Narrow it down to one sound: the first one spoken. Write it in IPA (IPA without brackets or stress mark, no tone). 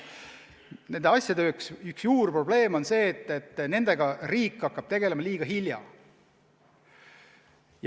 n